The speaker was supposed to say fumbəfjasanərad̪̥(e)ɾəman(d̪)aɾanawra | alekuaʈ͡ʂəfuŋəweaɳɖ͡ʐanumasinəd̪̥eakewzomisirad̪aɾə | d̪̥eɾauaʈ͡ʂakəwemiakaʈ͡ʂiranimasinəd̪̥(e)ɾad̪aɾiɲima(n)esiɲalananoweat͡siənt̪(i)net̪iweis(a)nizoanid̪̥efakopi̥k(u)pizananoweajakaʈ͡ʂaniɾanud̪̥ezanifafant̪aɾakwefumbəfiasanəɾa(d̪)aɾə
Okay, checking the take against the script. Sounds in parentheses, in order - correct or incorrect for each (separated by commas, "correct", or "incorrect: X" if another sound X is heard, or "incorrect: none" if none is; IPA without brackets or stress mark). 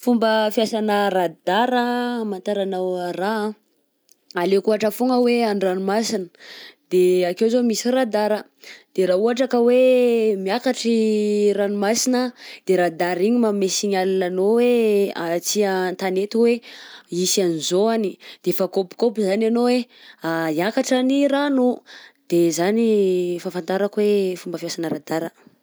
incorrect: a, incorrect: t̪, correct, incorrect: m, incorrect: a, correct, incorrect: o, correct